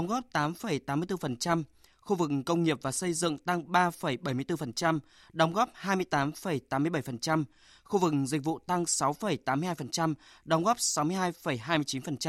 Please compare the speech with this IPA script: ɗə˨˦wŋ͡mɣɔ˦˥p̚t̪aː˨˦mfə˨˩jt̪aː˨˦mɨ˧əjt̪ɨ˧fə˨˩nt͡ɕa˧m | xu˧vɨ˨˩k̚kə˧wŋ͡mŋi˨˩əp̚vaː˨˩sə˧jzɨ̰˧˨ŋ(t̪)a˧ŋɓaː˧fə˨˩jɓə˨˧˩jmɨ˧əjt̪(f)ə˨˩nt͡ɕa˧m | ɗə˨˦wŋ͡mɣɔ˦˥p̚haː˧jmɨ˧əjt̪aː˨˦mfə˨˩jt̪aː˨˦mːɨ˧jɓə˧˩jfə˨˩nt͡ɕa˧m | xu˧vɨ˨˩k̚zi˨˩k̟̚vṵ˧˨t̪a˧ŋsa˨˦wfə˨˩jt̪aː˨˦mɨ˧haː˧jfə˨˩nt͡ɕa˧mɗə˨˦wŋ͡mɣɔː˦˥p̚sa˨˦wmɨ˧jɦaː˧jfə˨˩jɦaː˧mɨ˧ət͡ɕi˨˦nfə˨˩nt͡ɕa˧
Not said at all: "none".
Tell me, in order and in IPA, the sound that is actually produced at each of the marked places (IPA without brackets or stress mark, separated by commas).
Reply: t̪, f